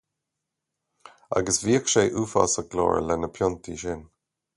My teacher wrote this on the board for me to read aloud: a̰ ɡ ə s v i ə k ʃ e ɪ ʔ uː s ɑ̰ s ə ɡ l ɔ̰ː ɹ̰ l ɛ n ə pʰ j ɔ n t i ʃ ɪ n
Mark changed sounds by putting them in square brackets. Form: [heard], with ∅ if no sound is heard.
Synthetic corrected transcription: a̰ ɡ ə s v i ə k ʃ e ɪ ʔ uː [f] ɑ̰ s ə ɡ l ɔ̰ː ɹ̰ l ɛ n ə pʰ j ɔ n t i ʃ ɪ n